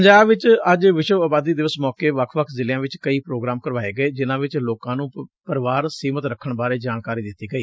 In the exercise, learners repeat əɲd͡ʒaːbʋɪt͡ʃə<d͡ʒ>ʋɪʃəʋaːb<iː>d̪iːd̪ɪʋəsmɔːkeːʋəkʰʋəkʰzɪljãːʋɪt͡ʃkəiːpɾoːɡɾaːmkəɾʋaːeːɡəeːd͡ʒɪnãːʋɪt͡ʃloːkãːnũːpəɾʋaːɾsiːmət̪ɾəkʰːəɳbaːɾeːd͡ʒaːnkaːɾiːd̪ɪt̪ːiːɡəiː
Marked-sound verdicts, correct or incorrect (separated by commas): correct, incorrect